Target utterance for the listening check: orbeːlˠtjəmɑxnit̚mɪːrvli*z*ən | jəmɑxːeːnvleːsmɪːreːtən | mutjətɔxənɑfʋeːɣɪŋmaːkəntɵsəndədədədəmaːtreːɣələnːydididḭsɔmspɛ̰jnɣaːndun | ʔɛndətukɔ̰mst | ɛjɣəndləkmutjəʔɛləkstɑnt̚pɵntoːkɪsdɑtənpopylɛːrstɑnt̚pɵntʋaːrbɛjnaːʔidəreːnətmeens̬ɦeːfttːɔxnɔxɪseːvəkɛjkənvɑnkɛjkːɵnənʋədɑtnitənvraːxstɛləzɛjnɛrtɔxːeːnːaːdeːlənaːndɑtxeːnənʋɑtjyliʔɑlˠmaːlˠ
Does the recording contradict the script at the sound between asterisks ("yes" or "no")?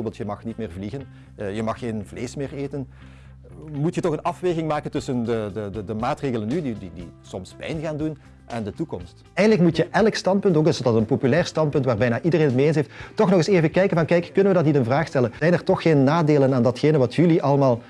yes